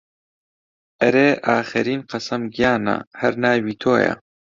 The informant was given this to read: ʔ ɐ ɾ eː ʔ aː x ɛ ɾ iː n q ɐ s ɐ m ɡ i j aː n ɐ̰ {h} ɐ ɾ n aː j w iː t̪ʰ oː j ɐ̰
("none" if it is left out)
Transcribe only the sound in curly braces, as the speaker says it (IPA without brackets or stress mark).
h